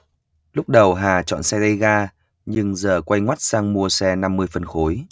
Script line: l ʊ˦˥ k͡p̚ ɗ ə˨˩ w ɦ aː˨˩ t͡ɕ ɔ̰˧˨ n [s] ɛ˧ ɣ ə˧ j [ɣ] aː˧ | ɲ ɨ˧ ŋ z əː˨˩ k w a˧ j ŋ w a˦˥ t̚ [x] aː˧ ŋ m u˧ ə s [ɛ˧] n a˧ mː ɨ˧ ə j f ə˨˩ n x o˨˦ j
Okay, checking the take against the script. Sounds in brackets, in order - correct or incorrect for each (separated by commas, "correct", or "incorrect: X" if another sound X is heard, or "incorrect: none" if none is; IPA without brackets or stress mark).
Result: correct, correct, incorrect: s, correct